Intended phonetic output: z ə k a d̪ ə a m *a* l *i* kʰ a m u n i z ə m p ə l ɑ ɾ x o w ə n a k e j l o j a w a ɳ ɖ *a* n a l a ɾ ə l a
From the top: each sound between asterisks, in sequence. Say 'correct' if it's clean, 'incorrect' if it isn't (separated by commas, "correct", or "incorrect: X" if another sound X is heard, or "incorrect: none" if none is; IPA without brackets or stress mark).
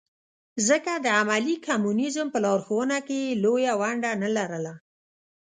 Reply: correct, correct, correct